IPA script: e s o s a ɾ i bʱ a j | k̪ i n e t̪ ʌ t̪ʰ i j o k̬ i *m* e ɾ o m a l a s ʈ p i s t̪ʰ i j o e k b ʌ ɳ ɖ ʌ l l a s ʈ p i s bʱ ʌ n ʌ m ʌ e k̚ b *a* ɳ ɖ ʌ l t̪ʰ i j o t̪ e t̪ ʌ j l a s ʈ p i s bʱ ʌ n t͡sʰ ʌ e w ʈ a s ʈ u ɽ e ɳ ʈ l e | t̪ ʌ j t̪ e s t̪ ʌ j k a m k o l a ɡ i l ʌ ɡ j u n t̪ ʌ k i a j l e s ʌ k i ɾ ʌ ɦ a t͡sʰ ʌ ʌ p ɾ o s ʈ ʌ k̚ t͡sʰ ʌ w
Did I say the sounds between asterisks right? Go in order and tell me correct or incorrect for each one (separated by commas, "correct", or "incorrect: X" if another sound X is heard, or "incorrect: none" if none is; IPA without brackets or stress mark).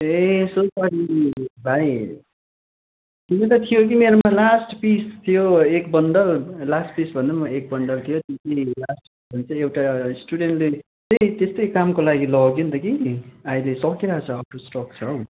correct, incorrect: ʌ